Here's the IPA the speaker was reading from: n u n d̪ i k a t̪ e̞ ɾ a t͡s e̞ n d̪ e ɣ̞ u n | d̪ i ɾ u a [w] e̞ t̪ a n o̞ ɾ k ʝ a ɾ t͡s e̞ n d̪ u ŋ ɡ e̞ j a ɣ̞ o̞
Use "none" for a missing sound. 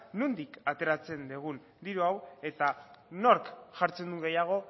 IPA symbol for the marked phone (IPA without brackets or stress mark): w